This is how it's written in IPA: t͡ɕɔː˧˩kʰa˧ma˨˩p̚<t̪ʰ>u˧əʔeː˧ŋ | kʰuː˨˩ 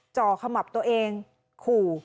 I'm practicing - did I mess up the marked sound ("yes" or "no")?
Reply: yes